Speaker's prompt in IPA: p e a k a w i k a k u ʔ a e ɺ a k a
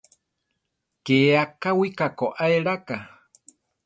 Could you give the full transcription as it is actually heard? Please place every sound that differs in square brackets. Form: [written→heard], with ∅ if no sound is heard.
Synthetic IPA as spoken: [p→k] e a k a w i k a k [u→o] ʔ a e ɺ a k a

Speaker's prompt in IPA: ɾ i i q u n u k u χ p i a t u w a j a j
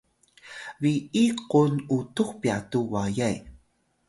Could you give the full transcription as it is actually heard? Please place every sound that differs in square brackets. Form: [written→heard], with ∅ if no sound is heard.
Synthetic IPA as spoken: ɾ i i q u n u [k→t] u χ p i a t u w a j a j

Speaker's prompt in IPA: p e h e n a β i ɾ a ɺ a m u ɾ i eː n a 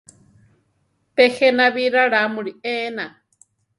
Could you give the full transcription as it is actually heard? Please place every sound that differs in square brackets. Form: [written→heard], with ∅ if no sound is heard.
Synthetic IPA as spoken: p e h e n a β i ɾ a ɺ a m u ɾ i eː n a

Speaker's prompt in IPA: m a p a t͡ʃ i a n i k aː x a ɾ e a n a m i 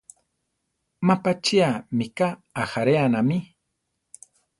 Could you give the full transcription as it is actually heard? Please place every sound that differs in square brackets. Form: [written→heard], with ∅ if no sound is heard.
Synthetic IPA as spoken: m a p a t͡ʃ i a [n→m] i k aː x a ɾ e a n a m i

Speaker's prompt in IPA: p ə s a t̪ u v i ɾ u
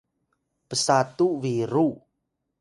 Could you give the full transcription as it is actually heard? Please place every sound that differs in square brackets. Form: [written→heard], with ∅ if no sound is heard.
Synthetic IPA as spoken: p ə s a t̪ u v i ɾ u

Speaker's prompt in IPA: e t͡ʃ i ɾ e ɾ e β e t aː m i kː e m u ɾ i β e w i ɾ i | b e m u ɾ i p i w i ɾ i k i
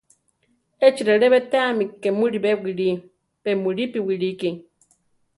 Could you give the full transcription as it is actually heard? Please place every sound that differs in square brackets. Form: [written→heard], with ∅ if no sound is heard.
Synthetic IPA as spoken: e t͡ʃ i ɾ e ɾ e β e t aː m i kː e m u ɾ i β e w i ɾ i | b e m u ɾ i p i w i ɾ i k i

